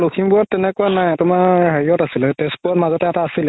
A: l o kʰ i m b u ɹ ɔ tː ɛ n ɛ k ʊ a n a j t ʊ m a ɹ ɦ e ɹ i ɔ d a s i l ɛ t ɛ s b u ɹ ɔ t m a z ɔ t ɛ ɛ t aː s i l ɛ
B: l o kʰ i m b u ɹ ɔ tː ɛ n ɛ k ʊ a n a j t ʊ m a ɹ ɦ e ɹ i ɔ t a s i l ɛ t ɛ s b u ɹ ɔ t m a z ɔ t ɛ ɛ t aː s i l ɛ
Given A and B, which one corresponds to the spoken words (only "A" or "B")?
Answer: B